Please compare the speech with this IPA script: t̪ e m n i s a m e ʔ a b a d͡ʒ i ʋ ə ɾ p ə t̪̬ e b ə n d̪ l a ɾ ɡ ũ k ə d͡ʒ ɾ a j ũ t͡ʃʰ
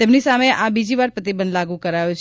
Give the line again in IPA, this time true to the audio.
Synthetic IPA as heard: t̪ e m n i s a m e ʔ a b i d͡ʒ i ʋ a ɾ p ə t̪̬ i b ə n d̪ l a ɡ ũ k ə ɾ a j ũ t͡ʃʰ